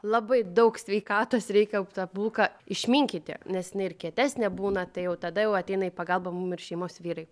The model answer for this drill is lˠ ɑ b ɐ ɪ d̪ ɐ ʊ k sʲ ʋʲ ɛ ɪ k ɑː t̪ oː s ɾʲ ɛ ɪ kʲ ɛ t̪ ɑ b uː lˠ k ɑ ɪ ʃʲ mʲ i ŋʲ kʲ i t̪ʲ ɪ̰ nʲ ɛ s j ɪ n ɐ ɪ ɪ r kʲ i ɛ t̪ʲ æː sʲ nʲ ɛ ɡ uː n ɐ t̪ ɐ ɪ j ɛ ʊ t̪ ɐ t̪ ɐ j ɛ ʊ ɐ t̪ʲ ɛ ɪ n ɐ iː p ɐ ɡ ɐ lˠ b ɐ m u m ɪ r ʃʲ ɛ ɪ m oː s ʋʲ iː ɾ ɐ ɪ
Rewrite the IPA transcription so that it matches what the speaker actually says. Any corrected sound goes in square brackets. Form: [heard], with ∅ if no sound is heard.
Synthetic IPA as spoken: lˠ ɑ b ɐ ɪ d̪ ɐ ʊ k sʲ ʋʲ ɛ ɪ k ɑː t̪ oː s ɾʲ ɛ ɪ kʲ ɛ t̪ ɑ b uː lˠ k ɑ ɪ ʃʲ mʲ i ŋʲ kʲ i t̪ʲ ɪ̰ nʲ ɛ s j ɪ n ɐ ɪ ɪ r kʲ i ɛ t̪ʲ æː sʲ nʲ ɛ [b] uː n ɐ t̪ ɐ ɪ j ɛ ʊ t̪ ɐ [d̪] ɐ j ɛ ʊ ɐ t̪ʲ ɛ ɪ n ɐ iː p ɐ ɡ ɐ lˠ b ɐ m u m ɪ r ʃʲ ɛ ɪ m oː s ʋʲ iː ɾ ɐ ɪ